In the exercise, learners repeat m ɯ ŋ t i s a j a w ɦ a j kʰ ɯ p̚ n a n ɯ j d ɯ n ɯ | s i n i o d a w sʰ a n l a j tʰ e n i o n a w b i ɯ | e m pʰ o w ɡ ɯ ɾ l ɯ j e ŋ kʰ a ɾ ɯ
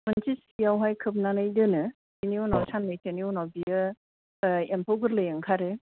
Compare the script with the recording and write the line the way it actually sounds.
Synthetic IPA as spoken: m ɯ n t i s i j a w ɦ a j kʰ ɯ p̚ n a n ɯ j d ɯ n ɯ | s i n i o n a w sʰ a n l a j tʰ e n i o n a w b i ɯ | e m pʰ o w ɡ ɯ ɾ l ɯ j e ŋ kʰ a ɾ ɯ

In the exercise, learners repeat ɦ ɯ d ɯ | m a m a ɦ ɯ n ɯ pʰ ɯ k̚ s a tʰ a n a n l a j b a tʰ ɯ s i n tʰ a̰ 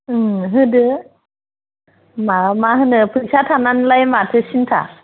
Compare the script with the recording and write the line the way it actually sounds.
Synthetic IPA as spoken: ɦ ɯ d ɯ | m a m a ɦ ɯ n ɯ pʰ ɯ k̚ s a tʰ a n a n l a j m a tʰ ɯ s i n tʰ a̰

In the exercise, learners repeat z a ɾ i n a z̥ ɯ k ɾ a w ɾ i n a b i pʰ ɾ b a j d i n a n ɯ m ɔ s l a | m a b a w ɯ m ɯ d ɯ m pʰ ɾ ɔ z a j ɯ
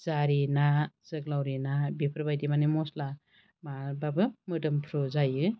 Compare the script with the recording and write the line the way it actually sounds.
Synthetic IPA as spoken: z a ɾ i n a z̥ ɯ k l a w ɾ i n a b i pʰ ɾ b a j d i m a n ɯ m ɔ s l a | m a b a b ɯ m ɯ d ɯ m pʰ ɾ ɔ z a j ɯ

